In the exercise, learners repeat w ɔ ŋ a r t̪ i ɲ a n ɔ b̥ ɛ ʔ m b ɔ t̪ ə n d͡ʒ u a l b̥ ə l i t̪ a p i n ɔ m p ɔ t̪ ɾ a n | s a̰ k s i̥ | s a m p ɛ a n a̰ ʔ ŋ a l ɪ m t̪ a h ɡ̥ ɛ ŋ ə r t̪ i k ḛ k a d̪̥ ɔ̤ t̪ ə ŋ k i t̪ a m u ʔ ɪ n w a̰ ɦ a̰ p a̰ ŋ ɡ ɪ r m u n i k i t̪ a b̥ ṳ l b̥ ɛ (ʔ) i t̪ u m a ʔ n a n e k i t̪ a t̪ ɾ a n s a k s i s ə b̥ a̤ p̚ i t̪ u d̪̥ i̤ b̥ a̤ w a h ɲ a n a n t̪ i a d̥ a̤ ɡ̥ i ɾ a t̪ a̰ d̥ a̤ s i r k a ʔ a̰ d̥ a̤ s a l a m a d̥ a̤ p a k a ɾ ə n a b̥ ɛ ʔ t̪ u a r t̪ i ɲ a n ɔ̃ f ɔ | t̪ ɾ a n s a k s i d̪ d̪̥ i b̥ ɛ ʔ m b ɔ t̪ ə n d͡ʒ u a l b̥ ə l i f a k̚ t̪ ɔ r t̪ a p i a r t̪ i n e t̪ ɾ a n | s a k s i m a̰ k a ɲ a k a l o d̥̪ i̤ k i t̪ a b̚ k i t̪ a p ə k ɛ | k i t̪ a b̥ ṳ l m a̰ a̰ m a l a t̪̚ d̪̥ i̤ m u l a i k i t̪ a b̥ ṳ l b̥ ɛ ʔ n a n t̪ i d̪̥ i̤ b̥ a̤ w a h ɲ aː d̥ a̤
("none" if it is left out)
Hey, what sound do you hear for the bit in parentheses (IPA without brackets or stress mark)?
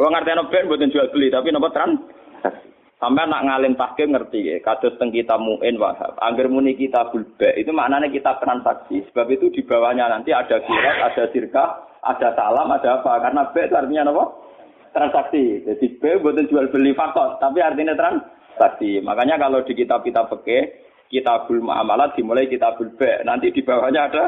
ʔ